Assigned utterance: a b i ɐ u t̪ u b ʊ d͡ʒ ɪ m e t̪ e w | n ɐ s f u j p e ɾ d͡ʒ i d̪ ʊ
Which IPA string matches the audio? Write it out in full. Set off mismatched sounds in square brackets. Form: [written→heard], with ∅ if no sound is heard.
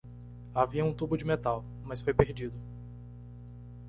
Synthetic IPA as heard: a [b→v] i ɐ [u→ũ] t̪ u b ʊ d͡ʒ ɪ m e t̪ [e→a] w | [n→m] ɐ s f [u→o] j p e ɾ d͡ʒ i d̪ ʊ